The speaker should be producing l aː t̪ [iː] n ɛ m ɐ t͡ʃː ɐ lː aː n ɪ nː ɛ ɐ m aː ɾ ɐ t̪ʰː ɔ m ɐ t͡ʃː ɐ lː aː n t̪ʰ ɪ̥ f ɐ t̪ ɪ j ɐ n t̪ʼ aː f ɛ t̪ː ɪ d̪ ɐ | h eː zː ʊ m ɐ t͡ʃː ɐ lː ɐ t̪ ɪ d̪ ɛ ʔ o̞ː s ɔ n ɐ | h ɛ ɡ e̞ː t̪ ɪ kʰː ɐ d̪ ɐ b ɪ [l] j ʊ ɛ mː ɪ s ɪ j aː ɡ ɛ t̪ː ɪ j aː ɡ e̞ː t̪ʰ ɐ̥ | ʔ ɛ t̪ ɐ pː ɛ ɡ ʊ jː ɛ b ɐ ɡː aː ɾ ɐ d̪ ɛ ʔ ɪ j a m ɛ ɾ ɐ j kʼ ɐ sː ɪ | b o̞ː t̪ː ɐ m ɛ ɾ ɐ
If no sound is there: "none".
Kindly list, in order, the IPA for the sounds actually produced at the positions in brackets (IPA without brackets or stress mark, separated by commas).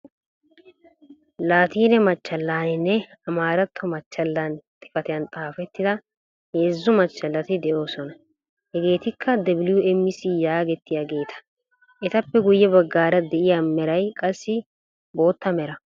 iː, l